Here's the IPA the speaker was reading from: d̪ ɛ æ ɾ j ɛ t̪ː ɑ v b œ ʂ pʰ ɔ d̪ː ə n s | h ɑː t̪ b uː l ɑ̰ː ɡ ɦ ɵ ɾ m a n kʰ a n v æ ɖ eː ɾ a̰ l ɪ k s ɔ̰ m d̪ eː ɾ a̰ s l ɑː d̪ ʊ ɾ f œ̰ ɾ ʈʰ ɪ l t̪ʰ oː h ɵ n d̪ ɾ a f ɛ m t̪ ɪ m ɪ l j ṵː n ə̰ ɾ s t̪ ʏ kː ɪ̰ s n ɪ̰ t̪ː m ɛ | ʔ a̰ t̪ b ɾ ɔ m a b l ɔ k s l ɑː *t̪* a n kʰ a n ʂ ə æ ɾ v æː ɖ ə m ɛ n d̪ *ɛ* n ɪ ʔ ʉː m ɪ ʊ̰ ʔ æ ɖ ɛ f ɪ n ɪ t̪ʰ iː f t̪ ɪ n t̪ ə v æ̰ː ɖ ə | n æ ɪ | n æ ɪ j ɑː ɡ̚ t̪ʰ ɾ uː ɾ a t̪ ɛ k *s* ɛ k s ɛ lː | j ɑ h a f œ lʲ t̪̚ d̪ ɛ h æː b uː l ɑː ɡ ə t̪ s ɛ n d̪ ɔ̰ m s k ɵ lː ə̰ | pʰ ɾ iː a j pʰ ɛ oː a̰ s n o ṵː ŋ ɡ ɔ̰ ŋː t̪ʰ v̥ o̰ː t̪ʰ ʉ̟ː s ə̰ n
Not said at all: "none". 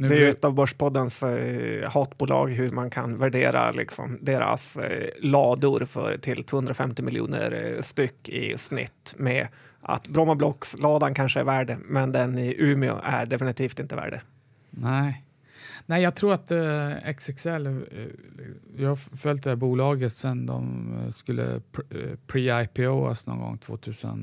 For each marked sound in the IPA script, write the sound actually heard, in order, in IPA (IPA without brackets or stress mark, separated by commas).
d̪, ɛ, s